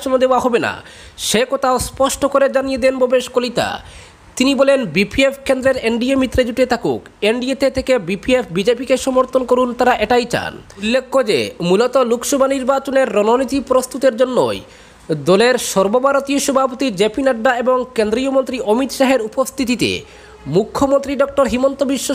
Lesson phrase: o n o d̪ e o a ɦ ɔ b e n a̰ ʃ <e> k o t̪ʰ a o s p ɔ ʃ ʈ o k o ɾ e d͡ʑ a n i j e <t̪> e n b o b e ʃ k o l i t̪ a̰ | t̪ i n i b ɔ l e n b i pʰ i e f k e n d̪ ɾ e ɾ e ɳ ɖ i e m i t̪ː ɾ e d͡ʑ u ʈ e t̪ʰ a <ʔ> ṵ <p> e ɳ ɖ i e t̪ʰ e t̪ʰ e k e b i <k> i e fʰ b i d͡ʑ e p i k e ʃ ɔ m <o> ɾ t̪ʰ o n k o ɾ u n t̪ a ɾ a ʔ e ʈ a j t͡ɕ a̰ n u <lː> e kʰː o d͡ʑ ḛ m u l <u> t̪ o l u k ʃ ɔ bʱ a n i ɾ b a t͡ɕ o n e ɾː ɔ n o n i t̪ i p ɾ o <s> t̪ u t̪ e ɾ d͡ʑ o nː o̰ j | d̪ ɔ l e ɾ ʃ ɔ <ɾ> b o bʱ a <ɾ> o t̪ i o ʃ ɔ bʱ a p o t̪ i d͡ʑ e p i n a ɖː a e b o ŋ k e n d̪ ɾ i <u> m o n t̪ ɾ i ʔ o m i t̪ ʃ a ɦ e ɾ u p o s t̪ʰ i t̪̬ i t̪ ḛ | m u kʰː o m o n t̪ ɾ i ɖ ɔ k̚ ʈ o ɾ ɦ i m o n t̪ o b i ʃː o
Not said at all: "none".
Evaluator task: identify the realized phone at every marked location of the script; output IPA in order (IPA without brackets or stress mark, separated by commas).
e, d̪, k, k, p, o, lː, o, s, ɾ, ɾ, o